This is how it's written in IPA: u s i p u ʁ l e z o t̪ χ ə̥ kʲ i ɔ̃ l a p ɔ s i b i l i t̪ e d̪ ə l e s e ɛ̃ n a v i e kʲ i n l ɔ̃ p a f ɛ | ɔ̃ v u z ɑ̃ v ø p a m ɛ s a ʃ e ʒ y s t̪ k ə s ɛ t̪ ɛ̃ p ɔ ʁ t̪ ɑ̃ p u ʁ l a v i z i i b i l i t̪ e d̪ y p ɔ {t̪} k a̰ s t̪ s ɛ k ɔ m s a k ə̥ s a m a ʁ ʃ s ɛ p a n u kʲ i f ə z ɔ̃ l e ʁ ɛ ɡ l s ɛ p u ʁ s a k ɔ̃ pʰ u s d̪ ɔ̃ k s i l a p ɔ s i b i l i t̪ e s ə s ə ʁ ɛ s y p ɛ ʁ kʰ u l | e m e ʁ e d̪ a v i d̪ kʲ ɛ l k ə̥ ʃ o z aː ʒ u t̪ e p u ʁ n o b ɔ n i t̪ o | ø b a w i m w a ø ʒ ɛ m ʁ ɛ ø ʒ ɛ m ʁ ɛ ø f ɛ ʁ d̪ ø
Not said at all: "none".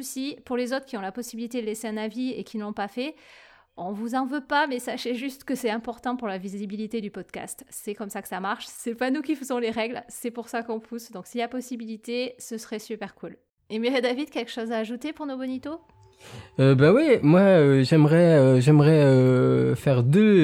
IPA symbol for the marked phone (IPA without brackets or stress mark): d̪